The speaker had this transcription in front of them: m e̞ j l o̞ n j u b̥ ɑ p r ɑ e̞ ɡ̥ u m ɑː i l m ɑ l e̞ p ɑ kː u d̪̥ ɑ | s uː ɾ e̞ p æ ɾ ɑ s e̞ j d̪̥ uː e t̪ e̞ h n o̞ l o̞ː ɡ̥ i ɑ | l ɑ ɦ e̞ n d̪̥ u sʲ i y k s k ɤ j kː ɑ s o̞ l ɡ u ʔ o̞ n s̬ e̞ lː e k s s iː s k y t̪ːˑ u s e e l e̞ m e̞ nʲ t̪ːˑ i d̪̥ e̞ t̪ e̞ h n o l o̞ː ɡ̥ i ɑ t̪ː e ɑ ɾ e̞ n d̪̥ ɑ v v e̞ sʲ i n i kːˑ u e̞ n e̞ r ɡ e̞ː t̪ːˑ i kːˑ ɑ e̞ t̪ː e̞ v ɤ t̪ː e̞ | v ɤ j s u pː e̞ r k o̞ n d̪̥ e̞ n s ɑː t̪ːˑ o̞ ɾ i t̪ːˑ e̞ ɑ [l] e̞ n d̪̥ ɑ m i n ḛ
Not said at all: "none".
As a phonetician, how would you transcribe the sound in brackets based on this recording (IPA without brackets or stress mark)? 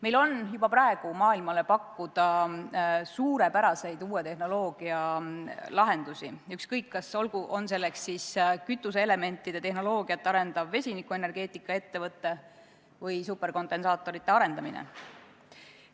ɾ